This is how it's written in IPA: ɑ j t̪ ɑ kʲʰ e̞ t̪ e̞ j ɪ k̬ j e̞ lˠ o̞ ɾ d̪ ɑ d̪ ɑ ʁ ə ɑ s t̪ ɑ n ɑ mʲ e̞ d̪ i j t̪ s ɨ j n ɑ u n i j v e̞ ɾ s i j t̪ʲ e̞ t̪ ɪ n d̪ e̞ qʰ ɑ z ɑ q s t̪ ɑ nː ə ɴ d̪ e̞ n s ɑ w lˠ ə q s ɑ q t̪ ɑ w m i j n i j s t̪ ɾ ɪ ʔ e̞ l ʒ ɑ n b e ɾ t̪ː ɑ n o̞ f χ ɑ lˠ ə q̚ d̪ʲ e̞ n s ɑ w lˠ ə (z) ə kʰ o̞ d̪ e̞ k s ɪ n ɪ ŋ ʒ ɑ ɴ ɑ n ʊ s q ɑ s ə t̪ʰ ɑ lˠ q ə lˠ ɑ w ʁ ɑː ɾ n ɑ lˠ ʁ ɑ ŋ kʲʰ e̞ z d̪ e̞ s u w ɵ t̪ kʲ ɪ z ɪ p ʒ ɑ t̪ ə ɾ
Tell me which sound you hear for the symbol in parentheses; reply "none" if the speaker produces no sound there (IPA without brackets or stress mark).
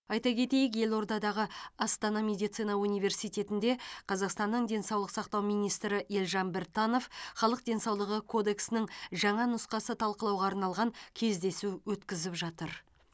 ʁ